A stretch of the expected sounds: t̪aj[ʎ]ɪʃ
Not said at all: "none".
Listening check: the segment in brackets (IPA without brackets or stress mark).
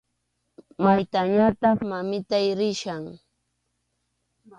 ɾ